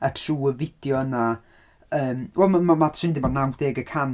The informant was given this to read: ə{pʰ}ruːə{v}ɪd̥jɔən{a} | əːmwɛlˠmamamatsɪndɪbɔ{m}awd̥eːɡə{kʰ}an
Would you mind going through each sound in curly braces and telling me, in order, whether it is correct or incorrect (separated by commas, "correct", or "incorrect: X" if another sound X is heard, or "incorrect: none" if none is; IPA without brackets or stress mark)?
incorrect: tʰ, correct, correct, incorrect: n, correct